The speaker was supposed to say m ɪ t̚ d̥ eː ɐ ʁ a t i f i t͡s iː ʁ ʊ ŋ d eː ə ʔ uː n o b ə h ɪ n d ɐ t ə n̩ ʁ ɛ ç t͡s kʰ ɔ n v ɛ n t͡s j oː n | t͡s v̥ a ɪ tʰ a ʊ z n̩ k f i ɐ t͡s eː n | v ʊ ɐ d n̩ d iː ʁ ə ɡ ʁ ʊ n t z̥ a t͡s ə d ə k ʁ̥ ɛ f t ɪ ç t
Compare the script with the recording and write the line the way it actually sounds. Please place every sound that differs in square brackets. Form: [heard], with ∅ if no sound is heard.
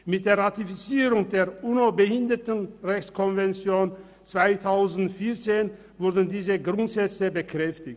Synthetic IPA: m ɪ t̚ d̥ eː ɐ ʁ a t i f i t͡s iː ʁ ʊ ŋ d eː [ɐ] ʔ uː n o b ə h ɪ n d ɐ t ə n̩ ʁ ɛ ç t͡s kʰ ɔ n v ɛ n t͡s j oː n | t͡s v̥ a ɪ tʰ a ʊ z n̩ [t] f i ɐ t͡s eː n | v ʊ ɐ d n̩ d iː [z] ə ɡ ʁ ʊ n t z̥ [ɛ] t͡s ə [b] ə k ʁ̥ ɛ f t ɪ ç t